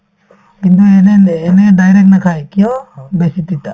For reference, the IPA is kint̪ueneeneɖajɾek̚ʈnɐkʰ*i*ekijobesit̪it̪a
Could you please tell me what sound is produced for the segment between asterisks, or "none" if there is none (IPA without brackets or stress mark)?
a